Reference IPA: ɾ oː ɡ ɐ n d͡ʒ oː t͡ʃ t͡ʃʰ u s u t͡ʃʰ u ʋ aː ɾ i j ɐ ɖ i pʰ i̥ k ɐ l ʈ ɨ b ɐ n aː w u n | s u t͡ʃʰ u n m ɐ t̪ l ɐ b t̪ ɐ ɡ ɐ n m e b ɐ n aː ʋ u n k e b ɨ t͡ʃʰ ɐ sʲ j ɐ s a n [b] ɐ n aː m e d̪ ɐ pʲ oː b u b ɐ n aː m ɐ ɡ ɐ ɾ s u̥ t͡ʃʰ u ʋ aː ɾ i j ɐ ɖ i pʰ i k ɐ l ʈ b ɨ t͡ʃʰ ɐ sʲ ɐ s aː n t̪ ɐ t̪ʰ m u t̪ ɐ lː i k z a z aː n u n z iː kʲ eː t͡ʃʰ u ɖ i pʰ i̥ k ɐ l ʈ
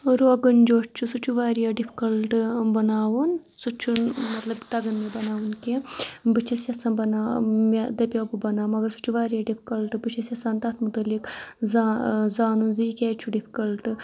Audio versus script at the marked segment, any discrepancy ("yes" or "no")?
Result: no